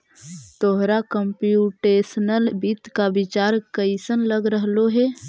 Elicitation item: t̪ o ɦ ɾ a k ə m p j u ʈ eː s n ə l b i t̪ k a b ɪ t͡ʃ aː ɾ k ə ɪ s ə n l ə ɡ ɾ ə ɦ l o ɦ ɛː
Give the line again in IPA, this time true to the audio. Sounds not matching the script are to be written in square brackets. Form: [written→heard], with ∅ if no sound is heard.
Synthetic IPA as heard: t̪ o ɦ ɾ a k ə m p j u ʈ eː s n ə l b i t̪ k a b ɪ t͡ʃ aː ɾ k ə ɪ s ə n l ə ɡ ɾ ə ɦ l o ɦ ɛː